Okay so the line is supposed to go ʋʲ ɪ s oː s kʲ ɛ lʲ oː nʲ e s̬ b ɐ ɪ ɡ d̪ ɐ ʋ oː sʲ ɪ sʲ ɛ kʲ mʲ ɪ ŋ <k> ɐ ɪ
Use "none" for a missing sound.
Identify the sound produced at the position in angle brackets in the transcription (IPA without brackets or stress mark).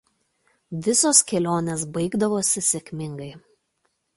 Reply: ɡ